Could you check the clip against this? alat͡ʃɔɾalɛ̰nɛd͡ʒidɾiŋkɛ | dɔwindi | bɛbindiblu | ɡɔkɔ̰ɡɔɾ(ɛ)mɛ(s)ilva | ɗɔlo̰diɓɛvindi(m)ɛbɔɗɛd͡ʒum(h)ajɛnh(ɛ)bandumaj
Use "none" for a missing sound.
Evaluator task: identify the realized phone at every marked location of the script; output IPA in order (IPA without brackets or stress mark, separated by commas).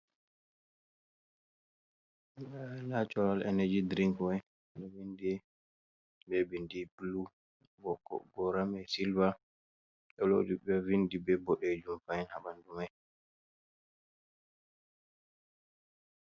a, s, b, f, a